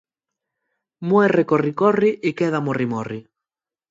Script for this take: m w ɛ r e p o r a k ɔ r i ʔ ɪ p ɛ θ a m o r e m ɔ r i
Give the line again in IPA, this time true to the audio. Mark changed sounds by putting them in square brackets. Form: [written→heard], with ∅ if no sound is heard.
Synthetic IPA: m w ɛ r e [p→k] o r [a→i] k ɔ r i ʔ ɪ [p→k] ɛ [θ→ð] a m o r [e→i] m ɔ r i